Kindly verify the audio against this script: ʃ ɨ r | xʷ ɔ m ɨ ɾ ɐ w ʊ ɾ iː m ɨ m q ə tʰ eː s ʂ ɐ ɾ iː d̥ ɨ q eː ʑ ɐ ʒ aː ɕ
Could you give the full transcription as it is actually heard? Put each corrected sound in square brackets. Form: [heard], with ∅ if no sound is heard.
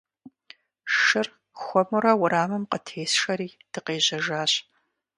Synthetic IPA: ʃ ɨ r | xʷ ɔ m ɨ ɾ ɐ w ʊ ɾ [aː] m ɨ m q ə tʰ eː s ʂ ɐ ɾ iː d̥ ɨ q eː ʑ ɐ ʒ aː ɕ